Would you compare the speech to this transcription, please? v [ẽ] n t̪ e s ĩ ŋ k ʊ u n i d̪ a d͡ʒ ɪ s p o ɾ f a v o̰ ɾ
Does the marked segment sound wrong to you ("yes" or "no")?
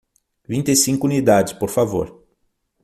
yes